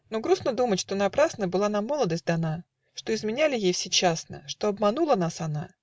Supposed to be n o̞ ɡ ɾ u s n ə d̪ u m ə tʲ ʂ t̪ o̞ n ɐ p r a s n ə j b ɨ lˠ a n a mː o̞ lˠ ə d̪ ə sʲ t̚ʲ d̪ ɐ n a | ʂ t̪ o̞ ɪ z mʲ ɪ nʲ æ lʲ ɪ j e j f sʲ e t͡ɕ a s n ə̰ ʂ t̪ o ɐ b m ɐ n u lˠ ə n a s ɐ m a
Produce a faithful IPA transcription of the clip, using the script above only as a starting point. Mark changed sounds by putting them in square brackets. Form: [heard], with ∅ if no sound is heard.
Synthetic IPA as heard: n o̞ ɡ ɾ u s n ə d̪ u m ə tʲ ʂ t̪ o̞ n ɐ p [ɾ] a s n ə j b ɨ lˠ a n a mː o̞ lˠ ə d̪ ə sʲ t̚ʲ d̪ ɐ n a | ʂ t̪ o̞ ɪ z mʲ ɪ nʲ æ lʲ ɪ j e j f sʲ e t͡ɕ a s n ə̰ ʂ t̪ o ɐ b m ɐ n u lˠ ə n a s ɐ [n] a